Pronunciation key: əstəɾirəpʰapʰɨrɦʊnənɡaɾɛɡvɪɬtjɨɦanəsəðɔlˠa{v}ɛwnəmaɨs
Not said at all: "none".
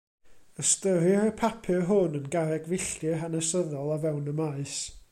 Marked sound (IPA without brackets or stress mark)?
v